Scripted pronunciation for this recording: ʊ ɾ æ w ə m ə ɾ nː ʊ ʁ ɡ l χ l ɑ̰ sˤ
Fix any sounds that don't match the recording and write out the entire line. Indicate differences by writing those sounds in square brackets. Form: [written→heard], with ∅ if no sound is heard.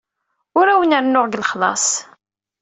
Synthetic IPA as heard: ʊ ɾ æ w ə [m→n] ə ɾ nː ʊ ʁ ɡ l χ l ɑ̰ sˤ